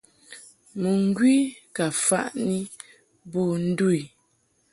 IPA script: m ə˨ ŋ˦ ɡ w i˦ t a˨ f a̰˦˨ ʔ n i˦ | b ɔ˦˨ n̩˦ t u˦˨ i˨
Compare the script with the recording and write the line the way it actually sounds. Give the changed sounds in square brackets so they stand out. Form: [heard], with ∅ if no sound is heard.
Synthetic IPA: m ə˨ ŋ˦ ɡ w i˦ [k] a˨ f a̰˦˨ ʔ n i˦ | b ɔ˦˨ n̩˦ [d] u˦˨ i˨